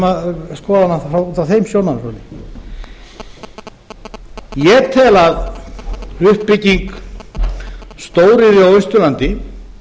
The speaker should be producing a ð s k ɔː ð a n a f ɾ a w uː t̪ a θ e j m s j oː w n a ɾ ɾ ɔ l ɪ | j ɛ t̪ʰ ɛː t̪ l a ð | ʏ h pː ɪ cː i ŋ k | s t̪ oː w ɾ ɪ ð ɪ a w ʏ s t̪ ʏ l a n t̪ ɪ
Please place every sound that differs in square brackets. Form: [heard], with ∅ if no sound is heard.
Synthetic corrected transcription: a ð s k ɔː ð a n a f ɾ a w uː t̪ a θ e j m s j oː w n a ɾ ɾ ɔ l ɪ | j ɛ t̪ʰ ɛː [∅] l a ð | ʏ h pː ɪ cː i ŋ k | s t̪ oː w ɾ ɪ ð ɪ a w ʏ s t̪ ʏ l a n t̪ ɪ

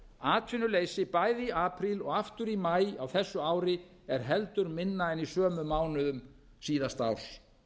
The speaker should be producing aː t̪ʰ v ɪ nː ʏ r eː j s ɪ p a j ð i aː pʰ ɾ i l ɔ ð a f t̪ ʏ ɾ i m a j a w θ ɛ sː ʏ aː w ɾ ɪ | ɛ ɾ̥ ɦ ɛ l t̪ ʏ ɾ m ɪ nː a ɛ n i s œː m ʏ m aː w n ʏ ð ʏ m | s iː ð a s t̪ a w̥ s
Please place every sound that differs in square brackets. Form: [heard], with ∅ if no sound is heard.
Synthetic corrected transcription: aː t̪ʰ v ɪ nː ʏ [l] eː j s ɪ p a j ð i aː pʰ ɾ i l ɔ [ɣ] a f t̪ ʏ ɾ i m a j a w θ ɛ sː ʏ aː w ɾ ɪ | ɛ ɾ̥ ɦ ɛ l t̪ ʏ ɾ m ɪ nː a ɛ n i s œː m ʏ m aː w n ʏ ð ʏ m | s iː ð a s t̪ a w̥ s

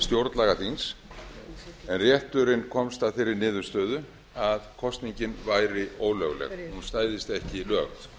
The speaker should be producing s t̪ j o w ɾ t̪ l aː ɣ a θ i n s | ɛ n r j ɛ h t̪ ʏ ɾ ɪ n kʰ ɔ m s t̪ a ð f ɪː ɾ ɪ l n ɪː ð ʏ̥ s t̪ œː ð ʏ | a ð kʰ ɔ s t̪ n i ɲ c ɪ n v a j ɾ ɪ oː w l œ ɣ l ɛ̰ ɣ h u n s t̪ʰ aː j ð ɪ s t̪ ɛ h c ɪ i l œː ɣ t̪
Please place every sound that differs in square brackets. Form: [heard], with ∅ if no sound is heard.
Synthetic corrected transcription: s t̪ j o w ɾ t̪ l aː ɣ a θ i n s | ɛ n r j ɛ h t̪ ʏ ɾ ɪ n kʰ ɔ m s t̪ a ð f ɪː ɾ ɪ [ɾ] n ɪː ð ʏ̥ s t̪ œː ð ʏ | a ð kʰ ɔ s t̪ n i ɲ c ɪ n v a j ɾ ɪ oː w l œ ɣ l ɛ̰ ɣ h u n s [t̪] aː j ð ɪ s t̪ ɛ h c ɪ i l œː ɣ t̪

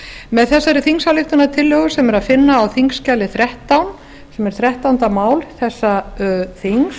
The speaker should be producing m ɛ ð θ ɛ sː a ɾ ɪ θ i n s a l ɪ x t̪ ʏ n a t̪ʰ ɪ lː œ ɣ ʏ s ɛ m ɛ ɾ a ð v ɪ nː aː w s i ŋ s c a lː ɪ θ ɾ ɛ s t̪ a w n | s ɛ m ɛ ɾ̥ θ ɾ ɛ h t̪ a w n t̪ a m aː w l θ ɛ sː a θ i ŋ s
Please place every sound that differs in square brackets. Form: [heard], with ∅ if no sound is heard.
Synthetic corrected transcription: m ɛ ð θ ɛ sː a ɾ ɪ θ i [ŋ] s a l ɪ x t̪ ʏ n a t̪ʰ ɪ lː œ ɣ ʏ s ɛ m ɛ ɾ a ð [f] ɪ nː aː w [θ] i ŋ s c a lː ɪ θ ɾ ɛ [h] t̪ a w n | s ɛ m ɛ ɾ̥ θ ɾ ɛ h t̪ a w n t̪ a m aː w l θ ɛ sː a θ i ŋ s

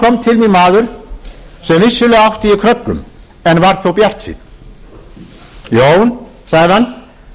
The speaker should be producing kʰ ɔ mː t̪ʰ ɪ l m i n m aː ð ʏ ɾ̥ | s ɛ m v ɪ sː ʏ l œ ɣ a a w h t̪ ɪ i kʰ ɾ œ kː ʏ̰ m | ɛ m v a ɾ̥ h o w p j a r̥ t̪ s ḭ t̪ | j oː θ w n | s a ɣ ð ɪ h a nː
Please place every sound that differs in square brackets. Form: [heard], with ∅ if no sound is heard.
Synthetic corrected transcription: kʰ ɔ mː t̪ʰ ɪ l m i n m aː ð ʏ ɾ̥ | s ɛ m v ɪ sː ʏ l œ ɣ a a w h t̪ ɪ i kʰ ɾ œ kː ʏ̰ m | ɛ [n] v a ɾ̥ [θ] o w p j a r̥ t̪ s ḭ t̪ | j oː [∅] w n | s a ɣ ð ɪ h a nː

